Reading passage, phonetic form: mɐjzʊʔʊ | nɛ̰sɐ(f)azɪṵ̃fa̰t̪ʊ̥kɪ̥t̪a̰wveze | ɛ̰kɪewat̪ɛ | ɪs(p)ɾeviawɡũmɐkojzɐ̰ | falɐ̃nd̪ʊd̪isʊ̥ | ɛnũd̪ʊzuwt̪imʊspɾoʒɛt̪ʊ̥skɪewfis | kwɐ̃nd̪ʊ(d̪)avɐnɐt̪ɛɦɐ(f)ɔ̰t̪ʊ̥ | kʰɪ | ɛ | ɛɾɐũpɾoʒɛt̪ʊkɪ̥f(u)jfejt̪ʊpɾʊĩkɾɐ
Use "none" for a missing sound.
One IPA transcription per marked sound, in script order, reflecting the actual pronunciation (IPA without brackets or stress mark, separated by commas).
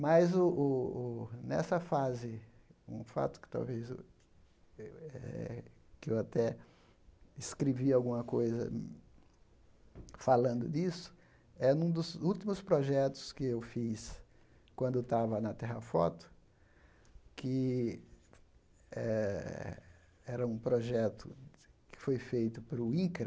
f, k, t̪, f, o